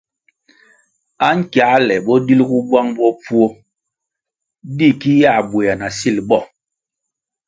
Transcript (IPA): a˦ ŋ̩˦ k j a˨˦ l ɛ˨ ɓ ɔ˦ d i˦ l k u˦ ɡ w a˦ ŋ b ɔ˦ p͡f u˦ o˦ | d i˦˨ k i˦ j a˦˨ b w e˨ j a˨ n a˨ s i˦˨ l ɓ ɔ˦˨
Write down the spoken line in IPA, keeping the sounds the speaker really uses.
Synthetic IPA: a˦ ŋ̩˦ k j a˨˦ l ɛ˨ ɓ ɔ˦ d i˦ l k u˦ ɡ w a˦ ŋ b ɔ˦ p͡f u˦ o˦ | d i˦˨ k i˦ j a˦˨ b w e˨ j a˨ n a˨ s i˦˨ l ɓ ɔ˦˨